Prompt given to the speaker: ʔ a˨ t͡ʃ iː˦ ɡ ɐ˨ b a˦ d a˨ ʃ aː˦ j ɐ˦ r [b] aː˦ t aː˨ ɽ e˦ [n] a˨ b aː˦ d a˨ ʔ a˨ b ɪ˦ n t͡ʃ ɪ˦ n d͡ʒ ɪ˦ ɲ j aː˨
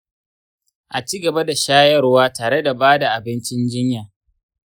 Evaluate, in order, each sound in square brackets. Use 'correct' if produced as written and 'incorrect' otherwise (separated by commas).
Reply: incorrect, incorrect